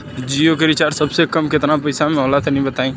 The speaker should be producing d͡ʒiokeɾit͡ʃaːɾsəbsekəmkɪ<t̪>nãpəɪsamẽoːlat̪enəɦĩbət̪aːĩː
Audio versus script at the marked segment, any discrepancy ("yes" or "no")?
no